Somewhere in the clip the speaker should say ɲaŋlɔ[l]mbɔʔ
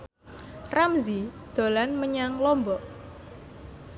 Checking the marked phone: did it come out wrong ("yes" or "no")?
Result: yes